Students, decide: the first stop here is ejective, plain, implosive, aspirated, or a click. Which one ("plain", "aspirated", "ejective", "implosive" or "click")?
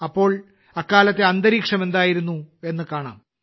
plain